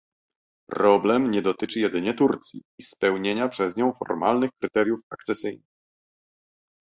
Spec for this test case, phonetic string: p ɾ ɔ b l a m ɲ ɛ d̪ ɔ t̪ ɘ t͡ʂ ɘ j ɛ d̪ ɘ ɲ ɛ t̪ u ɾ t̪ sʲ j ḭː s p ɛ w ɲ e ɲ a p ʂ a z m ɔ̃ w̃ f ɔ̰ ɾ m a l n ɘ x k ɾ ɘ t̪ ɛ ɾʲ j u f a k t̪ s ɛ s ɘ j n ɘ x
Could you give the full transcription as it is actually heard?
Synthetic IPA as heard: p ɾ ɔ b l ɛ m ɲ ɛ d̪ ɔ t̪ ɘ t͡ʂ ɘ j ɛ d̪ ɘ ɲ ɛ t̪ u ɾ t̪ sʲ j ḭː s p ɛ w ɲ e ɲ a p ʂ ɛ z ɲ ɔ̃ w̃ f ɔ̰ ɾ m a l n ɘ x k ɾ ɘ t̪ ɛ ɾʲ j u f a k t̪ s ɛ s ɘ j n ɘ x